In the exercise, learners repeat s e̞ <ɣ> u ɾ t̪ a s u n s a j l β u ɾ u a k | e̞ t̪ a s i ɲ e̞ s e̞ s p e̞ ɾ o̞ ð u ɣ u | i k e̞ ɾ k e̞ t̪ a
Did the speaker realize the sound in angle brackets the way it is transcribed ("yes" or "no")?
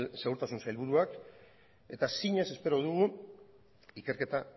yes